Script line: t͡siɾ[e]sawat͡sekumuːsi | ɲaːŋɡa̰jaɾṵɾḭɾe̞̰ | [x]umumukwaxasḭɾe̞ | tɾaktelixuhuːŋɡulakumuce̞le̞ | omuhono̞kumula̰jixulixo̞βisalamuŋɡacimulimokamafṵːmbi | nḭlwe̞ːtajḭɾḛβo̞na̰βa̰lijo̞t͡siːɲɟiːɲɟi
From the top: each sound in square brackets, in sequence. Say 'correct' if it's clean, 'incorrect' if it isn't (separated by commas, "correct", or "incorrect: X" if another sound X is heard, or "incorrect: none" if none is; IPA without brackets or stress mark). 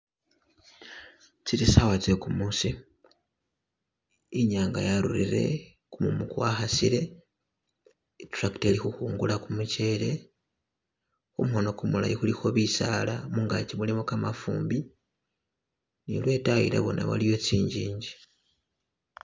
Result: incorrect: i, incorrect: k